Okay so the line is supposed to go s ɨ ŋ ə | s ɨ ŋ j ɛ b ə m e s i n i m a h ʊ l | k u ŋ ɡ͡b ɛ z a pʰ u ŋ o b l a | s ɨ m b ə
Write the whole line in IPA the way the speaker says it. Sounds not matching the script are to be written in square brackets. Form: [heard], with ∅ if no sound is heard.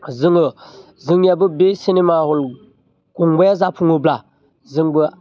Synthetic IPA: [z] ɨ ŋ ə | [z] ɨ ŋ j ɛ b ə [b] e s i n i m a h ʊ l | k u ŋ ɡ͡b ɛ z a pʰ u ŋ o b l a | [z] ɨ [ŋ] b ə